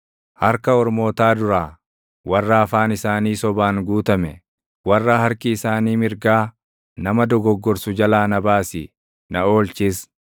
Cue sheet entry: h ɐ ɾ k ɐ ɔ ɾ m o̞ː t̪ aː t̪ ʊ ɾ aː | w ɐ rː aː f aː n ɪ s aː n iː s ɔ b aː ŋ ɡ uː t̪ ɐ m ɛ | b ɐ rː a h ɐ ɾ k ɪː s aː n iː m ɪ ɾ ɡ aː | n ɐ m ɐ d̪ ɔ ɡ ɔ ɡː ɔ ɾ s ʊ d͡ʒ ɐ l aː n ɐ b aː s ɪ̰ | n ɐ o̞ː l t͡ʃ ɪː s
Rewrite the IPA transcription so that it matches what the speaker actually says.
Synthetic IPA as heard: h ɐ ɾ k ɐ ɔ ɾ m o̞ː t̪ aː d̪ ʊ ɾ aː | w ɐ rː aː f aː n ɪ s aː n iː s ɔ b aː ŋ ɡ uː t̪ ɐ m ɛ | w ɐ rː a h ɐ ɾ k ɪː s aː n iː m ɪ ɾ ɡ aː | n ɐ m ɐ d̪ ɔ ɡ ɔ ɡː ɔ ɾ s ʊ d͡ʒ ɐ l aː n ɐ b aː s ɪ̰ | n ɐ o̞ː l t͡ʃ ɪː s